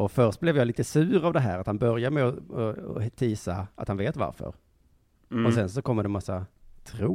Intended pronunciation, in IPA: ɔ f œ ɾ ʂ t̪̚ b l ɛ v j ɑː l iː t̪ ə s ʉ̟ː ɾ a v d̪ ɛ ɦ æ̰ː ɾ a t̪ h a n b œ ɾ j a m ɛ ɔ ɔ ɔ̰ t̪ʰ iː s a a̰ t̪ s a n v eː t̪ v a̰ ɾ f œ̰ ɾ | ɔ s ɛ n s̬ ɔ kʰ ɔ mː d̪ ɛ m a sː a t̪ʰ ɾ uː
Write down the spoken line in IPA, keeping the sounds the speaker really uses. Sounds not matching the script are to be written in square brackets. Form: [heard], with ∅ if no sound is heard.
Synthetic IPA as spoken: ɔ f œ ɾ ʂ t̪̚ b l ɛ v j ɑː l iː t̪ ə s ʉ̟ː ɾ a v d̪ ɛ ɦ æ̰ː ɾ a t̪ h a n b œ ɾ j a m ɛ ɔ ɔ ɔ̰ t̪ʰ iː s a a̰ t̪ [h] a n v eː t̪ v a̰ ɾ f œ̰ ɾ | ɔ s ɛ n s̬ ɔ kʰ ɔ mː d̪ ɛ m a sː a t̪ʰ ɾ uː